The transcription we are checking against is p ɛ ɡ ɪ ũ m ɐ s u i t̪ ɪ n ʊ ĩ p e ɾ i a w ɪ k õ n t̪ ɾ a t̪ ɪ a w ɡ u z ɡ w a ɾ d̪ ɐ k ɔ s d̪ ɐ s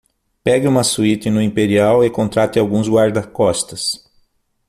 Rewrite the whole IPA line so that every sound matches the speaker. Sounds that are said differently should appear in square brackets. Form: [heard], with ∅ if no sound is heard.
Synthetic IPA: p ɛ ɡ ɪ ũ m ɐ s u i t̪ ɪ n ʊ ĩ p e ɾ i a w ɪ k õ n t̪ ɾ a t̪ ɪ a w ɡ [ũ] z ɡ w a ɾ d̪ ɐ k ɔ s [t̪] ɐ s